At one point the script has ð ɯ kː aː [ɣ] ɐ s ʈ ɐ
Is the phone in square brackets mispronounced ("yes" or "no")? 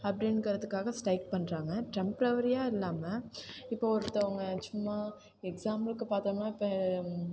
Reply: no